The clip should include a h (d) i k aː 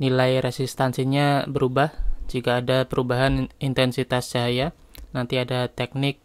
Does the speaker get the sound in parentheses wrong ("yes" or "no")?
yes